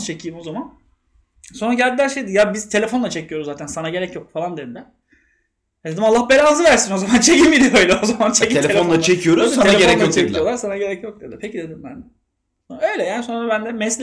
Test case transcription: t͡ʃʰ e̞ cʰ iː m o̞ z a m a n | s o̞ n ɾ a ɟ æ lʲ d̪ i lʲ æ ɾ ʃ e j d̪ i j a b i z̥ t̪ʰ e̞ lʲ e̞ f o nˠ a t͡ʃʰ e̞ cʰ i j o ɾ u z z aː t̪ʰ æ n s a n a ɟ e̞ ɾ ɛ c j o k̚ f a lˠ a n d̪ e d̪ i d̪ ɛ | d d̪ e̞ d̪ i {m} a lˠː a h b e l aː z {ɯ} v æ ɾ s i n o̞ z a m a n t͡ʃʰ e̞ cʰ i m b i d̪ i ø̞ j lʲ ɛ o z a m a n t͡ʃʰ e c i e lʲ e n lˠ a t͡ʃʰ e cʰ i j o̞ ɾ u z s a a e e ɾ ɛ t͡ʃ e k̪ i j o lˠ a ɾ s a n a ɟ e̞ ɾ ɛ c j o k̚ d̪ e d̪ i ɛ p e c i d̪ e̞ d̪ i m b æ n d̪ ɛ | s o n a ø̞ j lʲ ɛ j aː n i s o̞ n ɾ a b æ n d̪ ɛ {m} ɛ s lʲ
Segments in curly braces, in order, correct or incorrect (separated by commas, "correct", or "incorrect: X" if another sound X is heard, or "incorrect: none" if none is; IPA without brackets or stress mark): correct, correct, correct